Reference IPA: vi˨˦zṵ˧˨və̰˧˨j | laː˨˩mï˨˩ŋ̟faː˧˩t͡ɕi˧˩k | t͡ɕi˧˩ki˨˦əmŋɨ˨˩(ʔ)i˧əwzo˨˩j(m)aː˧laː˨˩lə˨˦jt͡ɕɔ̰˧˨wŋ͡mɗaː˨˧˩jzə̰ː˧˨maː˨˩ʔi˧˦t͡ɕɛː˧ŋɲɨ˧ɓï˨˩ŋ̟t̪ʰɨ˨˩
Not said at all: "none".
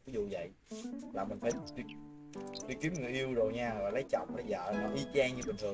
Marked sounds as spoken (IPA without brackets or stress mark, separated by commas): ʔ, ɲ